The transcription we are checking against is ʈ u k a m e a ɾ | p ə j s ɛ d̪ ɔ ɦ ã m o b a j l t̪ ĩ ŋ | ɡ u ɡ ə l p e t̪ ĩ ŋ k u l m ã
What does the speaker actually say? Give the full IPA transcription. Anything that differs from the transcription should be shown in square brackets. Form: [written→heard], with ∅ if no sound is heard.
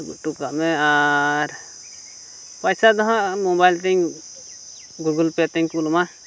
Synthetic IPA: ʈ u k a m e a ɾ | p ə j s [ɛ→a] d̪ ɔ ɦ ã m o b a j l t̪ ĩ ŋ | ɡ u ɡ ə l p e t̪ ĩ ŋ k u l m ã